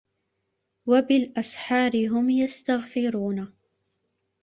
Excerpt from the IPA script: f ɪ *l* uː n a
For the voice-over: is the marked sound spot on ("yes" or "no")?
no